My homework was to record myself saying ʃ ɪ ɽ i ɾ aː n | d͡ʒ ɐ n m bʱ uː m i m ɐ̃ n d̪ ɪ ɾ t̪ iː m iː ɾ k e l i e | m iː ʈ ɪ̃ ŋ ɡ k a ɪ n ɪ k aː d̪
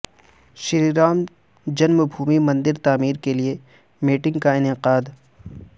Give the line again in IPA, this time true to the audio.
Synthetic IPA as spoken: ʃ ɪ ɾ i ɾ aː m | d͡ʒ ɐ n m bʱ uː m i m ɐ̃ n d̪ ɪ ɾ t̪ aː m iː ɾ k e l i e | m iː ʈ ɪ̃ ŋ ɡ k a ɪ n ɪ q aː d̪